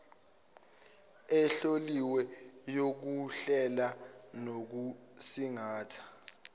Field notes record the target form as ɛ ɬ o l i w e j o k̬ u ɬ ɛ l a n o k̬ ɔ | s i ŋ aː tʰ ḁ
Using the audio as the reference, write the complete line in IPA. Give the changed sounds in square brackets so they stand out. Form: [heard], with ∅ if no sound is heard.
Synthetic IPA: ɛ ɬ o l i w [ɛ] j o k̬ u ɬ ɛ l a n o k̬ [u] | s i ŋ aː tʰ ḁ